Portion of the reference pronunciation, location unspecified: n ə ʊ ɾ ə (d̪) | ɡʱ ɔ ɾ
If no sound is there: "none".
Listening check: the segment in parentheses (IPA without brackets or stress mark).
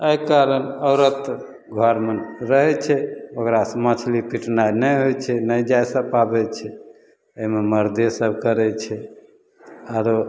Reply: t̪